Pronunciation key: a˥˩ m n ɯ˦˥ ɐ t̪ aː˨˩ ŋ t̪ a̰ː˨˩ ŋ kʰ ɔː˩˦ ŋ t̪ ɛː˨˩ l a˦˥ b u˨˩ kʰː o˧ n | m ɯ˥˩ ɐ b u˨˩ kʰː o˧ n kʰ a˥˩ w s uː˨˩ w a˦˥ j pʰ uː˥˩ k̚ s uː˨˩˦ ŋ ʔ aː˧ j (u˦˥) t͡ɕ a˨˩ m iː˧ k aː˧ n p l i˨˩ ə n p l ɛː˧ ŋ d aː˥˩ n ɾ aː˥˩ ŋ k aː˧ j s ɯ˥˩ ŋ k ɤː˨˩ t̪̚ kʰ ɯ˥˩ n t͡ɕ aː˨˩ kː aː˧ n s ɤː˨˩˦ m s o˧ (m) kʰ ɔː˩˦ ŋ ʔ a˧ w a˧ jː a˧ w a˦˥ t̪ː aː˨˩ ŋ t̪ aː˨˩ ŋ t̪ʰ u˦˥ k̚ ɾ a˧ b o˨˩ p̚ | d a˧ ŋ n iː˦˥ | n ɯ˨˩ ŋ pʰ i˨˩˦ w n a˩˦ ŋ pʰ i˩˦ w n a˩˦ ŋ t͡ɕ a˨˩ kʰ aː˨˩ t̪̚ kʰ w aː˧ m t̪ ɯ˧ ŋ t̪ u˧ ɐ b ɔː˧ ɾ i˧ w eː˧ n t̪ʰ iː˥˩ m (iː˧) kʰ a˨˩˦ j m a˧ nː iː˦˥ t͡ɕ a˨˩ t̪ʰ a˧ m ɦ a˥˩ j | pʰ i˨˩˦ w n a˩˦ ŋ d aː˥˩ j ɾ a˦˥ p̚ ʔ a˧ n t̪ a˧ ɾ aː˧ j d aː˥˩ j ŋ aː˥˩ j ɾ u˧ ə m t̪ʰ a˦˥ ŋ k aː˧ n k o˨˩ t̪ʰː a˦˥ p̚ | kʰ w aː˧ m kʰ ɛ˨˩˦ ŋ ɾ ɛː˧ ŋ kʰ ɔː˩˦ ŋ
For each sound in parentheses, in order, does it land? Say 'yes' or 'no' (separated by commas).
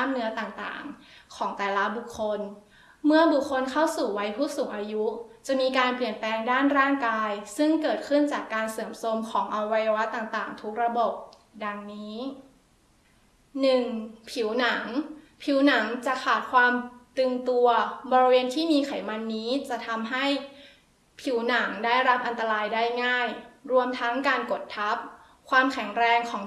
yes, yes, yes